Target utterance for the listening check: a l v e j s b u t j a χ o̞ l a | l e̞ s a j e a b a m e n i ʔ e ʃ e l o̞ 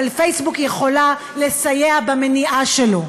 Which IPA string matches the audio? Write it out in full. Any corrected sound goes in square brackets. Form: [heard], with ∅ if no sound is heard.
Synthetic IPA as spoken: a l [f] e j s b u [k] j [e] χ o̞ l a | l e̞ s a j e a b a m e n i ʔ [a] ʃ e l o̞